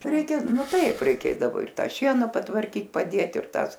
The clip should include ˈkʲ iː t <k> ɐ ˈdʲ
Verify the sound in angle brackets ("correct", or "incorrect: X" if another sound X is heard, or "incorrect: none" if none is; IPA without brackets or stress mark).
incorrect: p